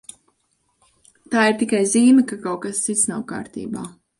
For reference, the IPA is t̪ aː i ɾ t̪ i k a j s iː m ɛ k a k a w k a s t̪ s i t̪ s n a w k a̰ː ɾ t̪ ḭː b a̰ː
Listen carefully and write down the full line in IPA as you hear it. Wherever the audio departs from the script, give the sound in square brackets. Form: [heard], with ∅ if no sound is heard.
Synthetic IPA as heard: t̪ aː i ɾ t̪ i k a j [z] iː m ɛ k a k a w k a s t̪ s i t̪ s n a w k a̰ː ɾ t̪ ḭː b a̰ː